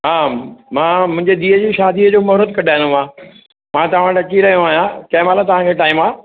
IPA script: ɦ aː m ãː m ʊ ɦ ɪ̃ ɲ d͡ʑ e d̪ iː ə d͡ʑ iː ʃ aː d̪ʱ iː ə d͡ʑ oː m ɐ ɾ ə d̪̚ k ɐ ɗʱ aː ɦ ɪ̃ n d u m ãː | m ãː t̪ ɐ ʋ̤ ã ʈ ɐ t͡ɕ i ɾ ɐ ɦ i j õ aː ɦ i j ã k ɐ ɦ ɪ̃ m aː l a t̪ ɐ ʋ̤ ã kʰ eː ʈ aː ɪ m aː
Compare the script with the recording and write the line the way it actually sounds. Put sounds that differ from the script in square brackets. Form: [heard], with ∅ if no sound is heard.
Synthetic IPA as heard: ɦ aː m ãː m [ʊ̃] ɦ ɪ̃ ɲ d͡ʑ e d̪ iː ə d͡ʑ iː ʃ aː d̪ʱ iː ə d͡ʑ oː m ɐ ɾ ə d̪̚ k ɐ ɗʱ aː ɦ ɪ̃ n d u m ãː | m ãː t̪ ɐ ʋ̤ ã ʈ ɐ t͡ɕ i ɾ ɐ ɦ i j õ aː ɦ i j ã k ɐ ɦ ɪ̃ m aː l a t̪ ɐ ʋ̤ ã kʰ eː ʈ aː ɪ m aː

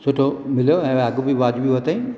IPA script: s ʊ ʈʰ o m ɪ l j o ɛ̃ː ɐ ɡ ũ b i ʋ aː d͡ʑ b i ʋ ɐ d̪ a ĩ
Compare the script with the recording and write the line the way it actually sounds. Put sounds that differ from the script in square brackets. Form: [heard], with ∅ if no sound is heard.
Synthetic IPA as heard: s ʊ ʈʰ o m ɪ l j o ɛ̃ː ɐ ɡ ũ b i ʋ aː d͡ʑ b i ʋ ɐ [t̪] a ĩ

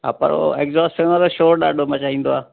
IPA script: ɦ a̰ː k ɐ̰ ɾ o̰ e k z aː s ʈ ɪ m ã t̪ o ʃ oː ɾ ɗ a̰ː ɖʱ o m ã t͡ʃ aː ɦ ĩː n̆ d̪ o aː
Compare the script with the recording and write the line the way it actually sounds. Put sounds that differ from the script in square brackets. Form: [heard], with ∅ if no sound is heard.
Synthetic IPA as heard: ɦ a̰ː [p] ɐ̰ ɾ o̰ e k z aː s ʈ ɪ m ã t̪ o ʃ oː ɾ ɗ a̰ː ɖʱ o m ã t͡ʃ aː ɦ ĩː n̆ d̪ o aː

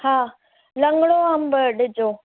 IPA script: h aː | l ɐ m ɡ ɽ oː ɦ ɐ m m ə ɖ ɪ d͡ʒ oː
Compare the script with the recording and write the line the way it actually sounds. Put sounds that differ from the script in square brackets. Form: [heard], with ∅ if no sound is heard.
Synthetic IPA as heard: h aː | l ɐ [ŋ] ɡ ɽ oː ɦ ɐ m [b] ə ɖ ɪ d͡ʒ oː

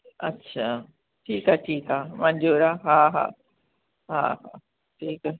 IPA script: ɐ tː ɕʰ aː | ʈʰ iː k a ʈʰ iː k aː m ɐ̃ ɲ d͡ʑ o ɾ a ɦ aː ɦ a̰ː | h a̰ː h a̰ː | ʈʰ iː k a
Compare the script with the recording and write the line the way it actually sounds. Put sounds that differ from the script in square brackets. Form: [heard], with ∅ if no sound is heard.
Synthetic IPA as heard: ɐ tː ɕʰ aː | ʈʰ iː k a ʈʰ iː k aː m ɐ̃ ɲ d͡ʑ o ɾ a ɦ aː ɦ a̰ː | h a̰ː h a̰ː | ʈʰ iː k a

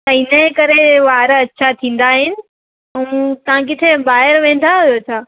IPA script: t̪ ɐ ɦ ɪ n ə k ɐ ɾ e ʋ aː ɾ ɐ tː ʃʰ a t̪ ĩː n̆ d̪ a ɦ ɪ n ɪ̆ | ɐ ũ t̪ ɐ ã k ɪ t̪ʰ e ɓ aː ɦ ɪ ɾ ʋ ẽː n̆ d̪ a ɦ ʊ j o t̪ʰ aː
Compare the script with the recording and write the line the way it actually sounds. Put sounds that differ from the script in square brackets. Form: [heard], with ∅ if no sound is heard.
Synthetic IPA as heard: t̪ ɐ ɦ ɪ n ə k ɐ ɾ e ʋ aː ɾ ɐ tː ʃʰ a [t̪ʰ] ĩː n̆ d̪ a ɦ ɪ n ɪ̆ | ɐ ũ t̪ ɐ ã k ɪ t̪ʰ e [b] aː ɦ ɪ ɾ ʋ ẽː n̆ d̪ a ɦ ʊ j o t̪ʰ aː

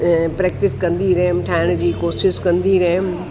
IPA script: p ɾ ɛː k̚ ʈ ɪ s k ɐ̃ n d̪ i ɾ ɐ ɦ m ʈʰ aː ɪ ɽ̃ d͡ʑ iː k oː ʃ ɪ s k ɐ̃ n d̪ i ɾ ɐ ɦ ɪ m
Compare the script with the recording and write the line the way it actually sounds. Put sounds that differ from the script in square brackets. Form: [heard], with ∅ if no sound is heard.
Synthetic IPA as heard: p ɾ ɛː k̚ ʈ ɪ s k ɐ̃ n d̪ i ɾ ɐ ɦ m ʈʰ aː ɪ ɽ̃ d͡ʑ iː k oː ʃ ɪ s k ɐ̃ n d̪ i ɾ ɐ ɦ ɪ m

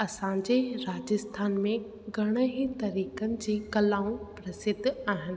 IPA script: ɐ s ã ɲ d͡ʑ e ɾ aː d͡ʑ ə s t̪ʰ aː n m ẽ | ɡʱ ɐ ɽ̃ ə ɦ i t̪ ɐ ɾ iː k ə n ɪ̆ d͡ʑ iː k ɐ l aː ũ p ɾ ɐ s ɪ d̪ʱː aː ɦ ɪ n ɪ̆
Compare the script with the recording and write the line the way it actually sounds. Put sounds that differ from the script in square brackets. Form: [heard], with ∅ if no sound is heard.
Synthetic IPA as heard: ɐ s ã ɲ d͡ʑ e ɾ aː d͡ʑ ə s t̪ʰ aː n m ẽ | ɡʱ ɐ ɽ̃ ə ɦ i t̪ ɐ ɾ iː k ə n ɪ̆ d͡ʑ iː k ɐ l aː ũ p ɾ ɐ s ɪ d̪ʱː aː ɦ ɪ n ɪ̆

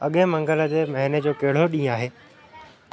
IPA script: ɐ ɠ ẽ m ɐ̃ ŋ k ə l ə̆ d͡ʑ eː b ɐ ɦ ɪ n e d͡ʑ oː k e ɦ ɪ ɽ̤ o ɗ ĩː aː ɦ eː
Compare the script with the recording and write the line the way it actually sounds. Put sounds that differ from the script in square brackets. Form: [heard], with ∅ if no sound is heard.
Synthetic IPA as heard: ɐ ɠ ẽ m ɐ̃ ŋ [ɡ] ə l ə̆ d͡ʑ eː [m] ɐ ɦ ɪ n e d͡ʑ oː k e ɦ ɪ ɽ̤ o ɗ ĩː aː ɦ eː

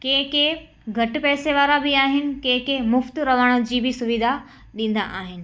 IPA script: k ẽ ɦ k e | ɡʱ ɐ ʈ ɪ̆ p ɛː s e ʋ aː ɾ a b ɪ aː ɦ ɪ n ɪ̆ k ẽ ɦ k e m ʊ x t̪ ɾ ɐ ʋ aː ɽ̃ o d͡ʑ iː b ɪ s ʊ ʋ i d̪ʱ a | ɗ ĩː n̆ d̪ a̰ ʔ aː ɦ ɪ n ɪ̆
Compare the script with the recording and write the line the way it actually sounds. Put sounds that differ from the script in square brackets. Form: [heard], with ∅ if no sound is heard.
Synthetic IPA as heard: k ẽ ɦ k e | ɡʱ ɐ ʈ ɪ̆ p ɛː s e ʋ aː ɾ a b ɪ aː ɦ ɪ n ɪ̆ k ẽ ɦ k e m ʊ [f] t̪ ɾ ɐ ʋ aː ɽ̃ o d͡ʑ iː b ɪ s ʊ ʋ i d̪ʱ a | ɗ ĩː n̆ d̪ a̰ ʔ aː ɦ ɪ n ɪ̆

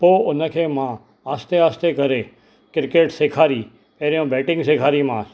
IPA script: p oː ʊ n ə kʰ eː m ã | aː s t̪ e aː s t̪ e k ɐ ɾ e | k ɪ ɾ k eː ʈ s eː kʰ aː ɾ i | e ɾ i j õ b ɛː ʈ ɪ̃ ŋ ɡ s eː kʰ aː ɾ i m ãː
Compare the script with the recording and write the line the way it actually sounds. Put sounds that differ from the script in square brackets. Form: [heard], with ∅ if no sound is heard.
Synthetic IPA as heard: p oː ʊ n ə kʰ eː m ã | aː s t̪ e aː s t̪ e k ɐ ɾ e | k ɪ ɾ k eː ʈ s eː kʰ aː ɾ i | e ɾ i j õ b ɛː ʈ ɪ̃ ŋ ɡ s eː kʰ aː ɾ i m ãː

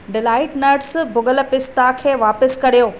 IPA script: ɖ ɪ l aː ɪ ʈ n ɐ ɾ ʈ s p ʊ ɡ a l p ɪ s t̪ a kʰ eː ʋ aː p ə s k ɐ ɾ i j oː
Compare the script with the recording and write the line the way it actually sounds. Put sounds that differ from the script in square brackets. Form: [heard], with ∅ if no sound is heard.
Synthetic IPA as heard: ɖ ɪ l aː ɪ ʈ n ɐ ɾ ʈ s [b] ʊ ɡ [ə] l p ɪ s t̪ a kʰ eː ʋ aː p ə s k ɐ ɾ i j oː

